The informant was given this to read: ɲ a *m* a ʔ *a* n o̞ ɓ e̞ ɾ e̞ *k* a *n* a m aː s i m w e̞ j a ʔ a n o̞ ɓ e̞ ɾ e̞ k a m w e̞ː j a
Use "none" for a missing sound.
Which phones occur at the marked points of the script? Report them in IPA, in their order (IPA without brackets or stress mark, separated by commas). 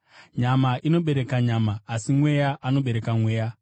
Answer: m, i, k, ɲ